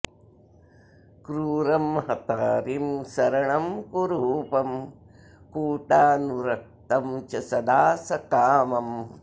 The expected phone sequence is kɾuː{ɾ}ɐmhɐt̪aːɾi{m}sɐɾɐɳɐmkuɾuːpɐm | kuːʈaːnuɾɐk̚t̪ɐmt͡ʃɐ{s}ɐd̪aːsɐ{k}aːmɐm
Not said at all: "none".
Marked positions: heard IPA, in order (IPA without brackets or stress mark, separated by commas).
ɾ, m, s, k